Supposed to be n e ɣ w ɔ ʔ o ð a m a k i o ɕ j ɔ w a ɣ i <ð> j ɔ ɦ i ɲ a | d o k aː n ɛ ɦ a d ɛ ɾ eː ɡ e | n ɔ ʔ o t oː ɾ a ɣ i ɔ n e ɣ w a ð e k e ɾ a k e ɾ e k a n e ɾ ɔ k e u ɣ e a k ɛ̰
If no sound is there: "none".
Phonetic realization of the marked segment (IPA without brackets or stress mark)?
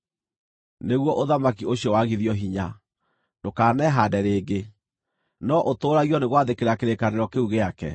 ð